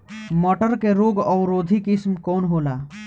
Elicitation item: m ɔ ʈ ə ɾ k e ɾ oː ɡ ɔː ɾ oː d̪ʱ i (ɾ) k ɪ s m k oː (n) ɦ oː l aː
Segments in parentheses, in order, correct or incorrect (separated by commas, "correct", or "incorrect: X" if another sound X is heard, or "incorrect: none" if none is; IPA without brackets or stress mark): incorrect: none, correct